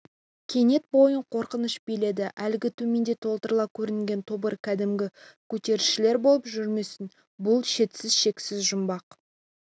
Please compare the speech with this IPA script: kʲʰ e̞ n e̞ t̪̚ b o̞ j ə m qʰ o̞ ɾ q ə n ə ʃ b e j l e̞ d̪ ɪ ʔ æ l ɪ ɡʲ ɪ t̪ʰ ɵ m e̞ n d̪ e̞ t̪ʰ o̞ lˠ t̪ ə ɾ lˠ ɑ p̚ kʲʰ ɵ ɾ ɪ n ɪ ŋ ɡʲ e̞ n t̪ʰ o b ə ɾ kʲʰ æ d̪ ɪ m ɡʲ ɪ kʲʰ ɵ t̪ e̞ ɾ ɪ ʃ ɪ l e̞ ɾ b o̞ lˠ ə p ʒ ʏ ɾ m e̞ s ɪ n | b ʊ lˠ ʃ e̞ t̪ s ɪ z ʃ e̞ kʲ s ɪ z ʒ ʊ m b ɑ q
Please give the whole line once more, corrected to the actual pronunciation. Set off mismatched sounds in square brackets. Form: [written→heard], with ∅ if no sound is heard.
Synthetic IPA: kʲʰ e̞ n e̞ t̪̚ b o̞ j ə [m→ɴ] qʰ o̞ ɾ q ə n ə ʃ b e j l e̞ d̪ ɪ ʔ æ l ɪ ɡʲ ɪ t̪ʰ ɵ m e̞ n d̪ e̞ t̪ʰ o̞ lˠ t̪ ə ɾ lˠ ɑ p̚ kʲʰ ɵ ɾ ɪ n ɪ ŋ ɡʲ e̞ n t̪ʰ o b ə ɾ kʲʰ æ d̪ ɪ m ɡʲ ɪ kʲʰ ɵ t̪ e̞ ɾ ɪ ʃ ɪ l e̞ ɾ b o̞ lˠ ə p ʒ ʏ ɾ m e̞ s ɪ n | b ʊ lˠ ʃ e̞ t̪ s ɪ z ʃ e̞ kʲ s ɪ z ʒ ʊ m b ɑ q